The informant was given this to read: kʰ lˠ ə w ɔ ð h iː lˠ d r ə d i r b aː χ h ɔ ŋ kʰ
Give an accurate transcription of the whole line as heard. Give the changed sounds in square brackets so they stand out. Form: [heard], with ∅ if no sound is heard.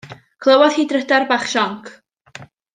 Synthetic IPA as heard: kʰ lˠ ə w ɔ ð h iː [∅] d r ə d [a] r b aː χ [ʃ] ɔ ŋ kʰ